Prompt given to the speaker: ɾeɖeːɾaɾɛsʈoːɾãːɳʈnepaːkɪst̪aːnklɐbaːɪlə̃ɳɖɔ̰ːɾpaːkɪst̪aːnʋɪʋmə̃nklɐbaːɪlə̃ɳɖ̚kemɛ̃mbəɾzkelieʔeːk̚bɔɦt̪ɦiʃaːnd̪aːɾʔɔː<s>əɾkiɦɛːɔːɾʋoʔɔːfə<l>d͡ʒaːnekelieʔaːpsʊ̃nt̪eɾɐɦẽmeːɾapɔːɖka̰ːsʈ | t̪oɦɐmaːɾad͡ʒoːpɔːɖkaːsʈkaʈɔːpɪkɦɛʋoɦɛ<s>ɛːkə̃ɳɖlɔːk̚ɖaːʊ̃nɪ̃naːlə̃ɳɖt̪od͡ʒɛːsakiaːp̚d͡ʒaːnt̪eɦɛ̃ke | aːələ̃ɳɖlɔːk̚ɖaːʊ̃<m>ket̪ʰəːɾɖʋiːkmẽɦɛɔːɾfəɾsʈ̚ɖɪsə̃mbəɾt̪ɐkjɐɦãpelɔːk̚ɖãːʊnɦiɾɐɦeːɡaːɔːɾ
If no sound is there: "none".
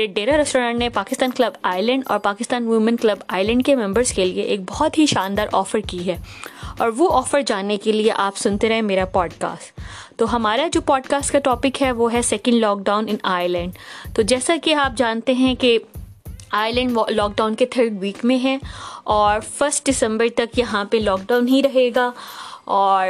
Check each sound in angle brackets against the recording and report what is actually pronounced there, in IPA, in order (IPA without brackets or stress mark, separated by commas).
f, ɾ, s, n